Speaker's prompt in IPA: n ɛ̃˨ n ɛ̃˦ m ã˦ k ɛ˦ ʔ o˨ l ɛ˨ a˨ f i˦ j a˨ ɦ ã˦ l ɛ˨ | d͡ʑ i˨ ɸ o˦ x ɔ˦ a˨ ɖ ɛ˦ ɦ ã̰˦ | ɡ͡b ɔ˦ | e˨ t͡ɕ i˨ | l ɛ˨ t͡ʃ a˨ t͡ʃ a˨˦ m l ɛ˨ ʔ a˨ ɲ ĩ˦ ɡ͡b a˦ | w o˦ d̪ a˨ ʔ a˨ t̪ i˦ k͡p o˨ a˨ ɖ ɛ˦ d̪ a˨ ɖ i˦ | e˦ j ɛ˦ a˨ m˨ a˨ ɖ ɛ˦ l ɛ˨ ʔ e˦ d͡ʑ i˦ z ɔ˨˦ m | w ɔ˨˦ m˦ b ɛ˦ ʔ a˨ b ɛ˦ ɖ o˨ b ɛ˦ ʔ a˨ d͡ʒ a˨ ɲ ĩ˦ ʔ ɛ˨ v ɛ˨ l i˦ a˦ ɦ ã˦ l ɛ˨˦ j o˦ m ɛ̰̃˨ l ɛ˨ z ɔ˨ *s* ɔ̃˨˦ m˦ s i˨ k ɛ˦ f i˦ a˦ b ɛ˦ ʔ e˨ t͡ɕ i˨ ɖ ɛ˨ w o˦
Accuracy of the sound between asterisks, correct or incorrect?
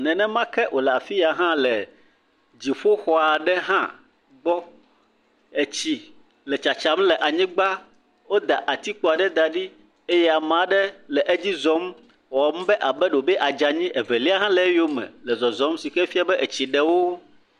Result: incorrect